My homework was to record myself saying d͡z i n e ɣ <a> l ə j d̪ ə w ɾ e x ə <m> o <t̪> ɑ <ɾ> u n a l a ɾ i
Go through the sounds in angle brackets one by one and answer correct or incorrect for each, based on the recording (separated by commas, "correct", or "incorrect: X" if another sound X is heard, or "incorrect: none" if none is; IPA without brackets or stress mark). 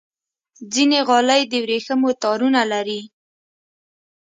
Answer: incorrect: ɑ, correct, correct, correct